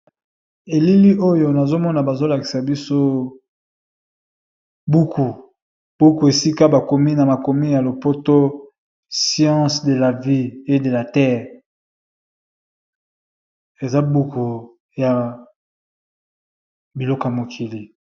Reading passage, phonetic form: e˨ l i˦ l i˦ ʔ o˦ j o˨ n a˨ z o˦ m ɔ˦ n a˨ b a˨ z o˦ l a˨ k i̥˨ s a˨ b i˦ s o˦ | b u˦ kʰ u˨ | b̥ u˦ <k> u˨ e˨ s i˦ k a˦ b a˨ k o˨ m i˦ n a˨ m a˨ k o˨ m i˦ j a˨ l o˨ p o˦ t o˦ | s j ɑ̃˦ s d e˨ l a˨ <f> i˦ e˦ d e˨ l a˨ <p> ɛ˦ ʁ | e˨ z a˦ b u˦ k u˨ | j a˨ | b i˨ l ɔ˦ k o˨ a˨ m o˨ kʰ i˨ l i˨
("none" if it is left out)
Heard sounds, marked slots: k, v, t

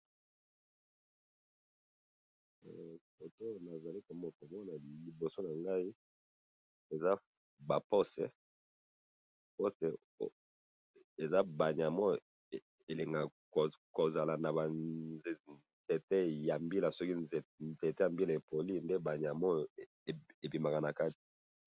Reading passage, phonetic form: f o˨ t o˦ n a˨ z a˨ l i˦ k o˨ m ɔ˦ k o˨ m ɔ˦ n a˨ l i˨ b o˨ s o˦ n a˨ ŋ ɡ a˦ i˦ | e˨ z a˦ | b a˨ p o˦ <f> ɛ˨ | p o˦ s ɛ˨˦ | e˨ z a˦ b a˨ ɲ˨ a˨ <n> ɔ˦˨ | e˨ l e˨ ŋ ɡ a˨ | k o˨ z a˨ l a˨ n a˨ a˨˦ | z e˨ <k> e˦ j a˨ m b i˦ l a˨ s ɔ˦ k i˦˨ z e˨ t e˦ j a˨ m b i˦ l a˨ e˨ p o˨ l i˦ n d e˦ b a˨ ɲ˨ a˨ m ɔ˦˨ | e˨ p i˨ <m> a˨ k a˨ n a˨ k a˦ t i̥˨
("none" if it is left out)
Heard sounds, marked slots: s, m, t, m

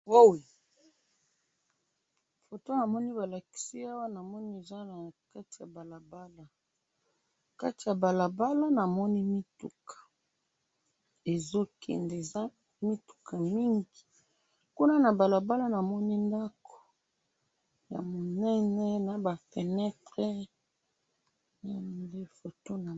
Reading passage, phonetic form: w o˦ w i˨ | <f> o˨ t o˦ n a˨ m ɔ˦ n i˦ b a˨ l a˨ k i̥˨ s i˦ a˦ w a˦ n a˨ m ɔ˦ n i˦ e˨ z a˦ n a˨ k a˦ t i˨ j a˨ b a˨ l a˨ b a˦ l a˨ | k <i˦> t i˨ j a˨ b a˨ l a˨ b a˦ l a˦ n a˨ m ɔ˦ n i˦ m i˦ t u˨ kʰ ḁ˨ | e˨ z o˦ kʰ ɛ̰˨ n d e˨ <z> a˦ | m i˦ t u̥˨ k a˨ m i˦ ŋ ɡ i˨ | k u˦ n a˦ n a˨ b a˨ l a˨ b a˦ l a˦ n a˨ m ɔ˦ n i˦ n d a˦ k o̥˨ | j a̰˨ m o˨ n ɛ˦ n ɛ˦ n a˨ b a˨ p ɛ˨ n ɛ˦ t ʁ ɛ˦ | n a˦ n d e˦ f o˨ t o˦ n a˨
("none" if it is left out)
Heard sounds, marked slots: f, a˦, z

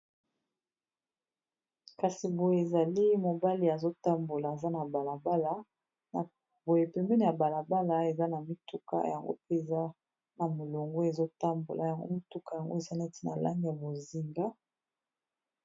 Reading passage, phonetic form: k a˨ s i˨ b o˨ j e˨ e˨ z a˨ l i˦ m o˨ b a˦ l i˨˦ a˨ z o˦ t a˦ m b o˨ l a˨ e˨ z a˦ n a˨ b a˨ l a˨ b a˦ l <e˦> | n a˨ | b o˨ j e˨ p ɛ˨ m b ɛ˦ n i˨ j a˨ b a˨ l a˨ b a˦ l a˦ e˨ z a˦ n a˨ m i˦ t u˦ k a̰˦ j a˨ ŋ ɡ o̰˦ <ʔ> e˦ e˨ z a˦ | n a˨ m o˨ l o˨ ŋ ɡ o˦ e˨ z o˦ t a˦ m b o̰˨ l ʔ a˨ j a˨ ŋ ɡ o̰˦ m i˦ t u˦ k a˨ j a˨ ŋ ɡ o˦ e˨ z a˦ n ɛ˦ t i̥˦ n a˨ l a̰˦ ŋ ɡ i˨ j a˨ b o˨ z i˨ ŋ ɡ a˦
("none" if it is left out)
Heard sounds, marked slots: a˦, p

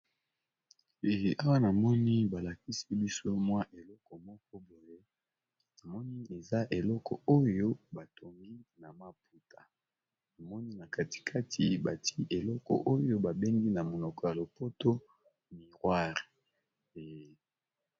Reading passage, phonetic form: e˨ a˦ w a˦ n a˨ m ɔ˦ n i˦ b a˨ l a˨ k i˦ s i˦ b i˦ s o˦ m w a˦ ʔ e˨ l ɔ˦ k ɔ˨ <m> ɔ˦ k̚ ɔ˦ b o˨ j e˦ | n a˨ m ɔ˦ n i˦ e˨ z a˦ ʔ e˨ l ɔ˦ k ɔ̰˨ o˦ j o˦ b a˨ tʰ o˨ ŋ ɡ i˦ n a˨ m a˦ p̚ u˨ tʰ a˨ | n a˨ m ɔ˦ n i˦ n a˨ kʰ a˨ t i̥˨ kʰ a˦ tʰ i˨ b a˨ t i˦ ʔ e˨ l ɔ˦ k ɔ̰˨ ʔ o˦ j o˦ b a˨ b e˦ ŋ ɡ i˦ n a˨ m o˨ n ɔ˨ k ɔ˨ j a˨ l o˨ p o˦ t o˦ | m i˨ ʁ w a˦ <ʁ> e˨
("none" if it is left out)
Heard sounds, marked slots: m, ʁ

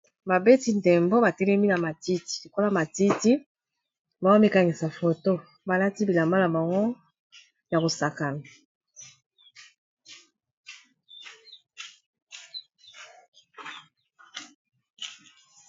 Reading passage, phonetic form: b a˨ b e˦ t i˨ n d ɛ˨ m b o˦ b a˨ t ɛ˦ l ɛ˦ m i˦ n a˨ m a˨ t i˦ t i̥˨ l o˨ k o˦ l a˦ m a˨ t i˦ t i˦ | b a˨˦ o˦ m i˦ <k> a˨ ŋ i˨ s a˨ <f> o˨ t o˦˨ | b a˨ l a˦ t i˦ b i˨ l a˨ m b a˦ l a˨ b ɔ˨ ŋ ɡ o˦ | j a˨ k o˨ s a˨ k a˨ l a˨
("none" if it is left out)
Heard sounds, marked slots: k, f

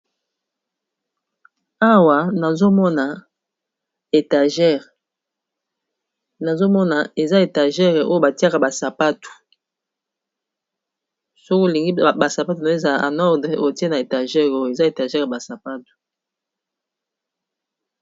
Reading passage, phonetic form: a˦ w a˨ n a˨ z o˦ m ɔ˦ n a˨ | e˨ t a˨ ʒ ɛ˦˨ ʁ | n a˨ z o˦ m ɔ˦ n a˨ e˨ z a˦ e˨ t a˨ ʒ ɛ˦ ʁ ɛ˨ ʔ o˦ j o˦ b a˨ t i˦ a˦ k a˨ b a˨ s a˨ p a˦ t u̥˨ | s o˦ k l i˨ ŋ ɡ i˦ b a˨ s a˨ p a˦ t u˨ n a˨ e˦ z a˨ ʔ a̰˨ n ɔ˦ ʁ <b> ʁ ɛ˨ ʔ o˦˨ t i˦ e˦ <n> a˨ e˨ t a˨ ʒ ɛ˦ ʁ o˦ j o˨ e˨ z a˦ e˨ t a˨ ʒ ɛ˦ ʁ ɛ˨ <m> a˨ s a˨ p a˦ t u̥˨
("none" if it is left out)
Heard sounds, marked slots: d, n, b

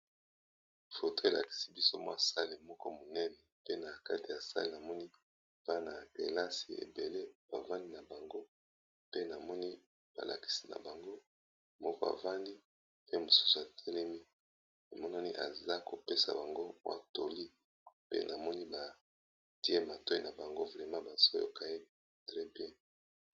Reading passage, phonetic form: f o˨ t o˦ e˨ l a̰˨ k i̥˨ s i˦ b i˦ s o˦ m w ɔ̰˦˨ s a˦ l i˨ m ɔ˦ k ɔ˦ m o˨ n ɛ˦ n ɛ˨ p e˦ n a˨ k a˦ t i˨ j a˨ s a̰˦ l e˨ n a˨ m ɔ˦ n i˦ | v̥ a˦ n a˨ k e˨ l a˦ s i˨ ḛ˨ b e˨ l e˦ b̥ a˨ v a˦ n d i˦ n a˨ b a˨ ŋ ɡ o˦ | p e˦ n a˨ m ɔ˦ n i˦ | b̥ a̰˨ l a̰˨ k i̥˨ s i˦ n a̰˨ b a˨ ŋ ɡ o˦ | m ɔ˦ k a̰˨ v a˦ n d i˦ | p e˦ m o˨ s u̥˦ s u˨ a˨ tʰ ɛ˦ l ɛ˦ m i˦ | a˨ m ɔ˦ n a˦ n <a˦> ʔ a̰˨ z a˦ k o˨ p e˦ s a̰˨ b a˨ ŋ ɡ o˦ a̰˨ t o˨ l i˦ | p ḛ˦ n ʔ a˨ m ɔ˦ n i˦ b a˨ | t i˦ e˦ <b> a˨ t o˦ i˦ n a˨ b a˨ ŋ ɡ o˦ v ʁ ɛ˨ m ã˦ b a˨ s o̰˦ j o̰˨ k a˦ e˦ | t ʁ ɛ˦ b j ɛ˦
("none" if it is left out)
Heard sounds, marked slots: i˦, m

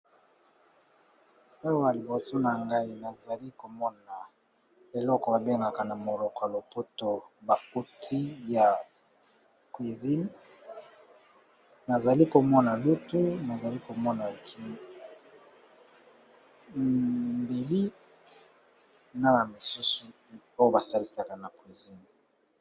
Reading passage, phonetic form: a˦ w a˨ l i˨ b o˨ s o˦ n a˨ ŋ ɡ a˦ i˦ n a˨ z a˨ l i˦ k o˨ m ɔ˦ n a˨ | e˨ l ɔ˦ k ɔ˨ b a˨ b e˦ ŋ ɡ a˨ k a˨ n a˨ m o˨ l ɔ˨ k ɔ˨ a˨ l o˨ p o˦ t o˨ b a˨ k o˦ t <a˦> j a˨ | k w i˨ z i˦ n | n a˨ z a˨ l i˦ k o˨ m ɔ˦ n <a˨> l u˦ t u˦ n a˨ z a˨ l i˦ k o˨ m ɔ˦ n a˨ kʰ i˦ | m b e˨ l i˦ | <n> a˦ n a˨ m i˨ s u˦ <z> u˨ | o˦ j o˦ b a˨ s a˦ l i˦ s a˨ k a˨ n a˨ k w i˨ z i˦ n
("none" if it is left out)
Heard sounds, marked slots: i˦, a˨, n, s

